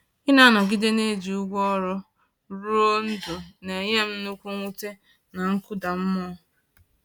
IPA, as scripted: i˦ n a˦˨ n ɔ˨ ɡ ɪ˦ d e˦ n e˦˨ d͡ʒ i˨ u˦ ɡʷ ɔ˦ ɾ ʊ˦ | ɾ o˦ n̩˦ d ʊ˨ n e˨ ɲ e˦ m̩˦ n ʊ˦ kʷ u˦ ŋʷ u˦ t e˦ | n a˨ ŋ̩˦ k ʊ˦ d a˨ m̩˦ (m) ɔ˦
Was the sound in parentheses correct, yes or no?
yes